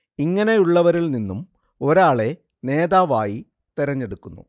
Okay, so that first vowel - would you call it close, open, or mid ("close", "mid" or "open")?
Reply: close